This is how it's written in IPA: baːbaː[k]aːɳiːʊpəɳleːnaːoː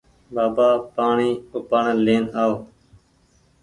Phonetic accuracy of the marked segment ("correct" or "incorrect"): incorrect